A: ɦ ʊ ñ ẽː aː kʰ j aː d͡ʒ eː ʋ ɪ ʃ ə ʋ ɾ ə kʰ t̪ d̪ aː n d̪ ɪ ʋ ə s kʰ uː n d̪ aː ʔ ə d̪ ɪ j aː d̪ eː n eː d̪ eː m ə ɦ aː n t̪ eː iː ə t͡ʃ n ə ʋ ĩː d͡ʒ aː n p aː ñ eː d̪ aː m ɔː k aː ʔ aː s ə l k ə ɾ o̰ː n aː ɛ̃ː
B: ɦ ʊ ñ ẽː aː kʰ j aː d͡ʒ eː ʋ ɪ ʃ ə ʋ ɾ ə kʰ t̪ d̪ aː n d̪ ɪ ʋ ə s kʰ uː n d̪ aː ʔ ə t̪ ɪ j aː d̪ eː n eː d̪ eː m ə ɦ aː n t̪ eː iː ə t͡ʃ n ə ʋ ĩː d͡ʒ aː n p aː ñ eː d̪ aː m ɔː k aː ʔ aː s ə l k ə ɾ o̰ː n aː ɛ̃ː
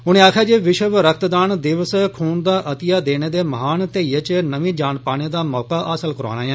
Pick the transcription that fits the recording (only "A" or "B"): B